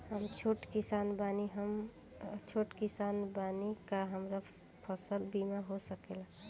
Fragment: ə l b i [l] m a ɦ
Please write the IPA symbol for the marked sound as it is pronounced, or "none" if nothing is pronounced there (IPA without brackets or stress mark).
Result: none